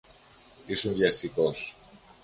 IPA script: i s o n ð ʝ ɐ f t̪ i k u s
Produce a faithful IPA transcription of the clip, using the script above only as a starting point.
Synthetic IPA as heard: i s u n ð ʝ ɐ s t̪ i k o s